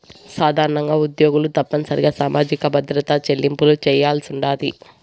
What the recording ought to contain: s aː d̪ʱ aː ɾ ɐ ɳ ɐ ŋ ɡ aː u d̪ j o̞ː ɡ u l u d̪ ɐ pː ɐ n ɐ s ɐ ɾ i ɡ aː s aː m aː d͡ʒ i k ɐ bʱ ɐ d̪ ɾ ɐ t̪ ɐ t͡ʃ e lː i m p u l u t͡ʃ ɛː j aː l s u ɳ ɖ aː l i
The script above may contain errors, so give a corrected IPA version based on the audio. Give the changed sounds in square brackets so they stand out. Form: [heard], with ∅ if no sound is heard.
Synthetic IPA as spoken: s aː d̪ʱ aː ɾ ɐ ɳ ɐ ŋ ɡ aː u d̪ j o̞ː ɡ u l u [t̪] ɐ pː ɐ n ɐ s ɐ ɾ i ɡ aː s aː m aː d͡ʒ i k ɐ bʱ ɐ d̪ ɾ ɐ t̪ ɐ t͡ʃ e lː i m p u l u t͡ʃ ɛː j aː l s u ɳ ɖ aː l i